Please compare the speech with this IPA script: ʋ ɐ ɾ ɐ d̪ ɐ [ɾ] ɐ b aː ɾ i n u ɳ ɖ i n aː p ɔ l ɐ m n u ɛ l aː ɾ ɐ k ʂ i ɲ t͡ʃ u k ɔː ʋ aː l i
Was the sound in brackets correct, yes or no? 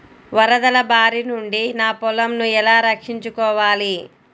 no